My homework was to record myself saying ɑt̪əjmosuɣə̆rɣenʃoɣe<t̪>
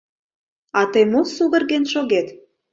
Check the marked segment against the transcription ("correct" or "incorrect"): correct